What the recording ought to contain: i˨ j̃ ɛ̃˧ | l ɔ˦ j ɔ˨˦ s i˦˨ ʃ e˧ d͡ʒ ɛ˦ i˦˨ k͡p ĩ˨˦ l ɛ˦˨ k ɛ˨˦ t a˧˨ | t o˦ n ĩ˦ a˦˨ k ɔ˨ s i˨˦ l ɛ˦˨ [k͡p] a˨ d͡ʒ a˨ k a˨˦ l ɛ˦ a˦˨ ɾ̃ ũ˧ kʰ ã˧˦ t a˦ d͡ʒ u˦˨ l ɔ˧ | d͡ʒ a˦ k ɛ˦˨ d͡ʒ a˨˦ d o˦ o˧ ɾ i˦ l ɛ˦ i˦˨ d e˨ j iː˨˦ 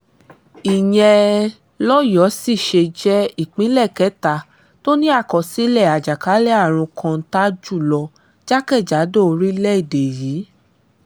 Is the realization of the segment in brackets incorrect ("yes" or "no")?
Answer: yes